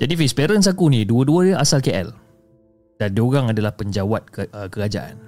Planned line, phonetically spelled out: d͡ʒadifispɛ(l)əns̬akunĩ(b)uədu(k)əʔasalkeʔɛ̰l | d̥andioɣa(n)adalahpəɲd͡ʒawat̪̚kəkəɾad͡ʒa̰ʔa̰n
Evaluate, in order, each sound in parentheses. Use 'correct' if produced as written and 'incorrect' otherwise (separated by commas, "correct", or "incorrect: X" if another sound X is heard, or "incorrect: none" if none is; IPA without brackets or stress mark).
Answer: incorrect: ɾ, incorrect: d, incorrect: none, incorrect: ŋ